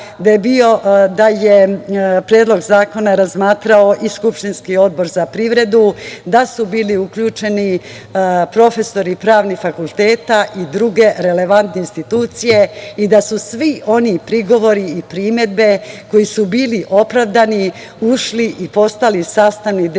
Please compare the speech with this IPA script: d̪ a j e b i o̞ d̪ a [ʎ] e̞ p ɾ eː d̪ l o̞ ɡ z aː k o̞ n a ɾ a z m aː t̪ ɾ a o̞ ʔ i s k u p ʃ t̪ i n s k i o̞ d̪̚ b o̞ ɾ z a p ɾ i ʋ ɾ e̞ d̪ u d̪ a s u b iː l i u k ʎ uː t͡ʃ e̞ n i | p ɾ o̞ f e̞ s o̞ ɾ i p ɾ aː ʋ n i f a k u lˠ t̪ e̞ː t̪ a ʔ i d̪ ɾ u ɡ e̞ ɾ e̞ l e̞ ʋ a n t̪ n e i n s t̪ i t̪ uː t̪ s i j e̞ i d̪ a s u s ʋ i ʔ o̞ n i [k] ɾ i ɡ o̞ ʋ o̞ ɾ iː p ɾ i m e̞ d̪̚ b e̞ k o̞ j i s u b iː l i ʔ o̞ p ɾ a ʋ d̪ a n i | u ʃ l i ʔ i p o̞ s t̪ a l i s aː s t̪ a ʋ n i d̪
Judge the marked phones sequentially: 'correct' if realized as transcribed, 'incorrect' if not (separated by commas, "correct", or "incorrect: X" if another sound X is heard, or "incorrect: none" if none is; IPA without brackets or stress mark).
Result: incorrect: j, incorrect: p